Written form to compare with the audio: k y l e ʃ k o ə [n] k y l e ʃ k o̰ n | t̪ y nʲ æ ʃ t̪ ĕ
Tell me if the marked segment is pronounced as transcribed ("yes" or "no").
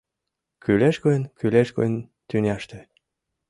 yes